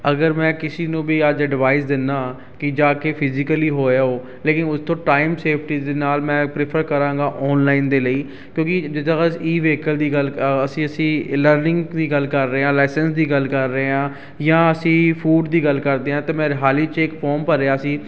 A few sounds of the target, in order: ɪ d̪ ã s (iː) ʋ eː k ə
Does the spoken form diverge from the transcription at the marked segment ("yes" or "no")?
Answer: no